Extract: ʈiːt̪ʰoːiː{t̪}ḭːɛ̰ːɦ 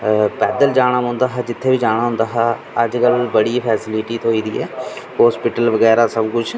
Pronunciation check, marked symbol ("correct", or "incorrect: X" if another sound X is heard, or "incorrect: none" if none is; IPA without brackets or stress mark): incorrect: d̪